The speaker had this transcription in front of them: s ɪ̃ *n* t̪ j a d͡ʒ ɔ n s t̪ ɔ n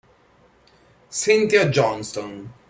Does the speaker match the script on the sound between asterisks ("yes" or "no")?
yes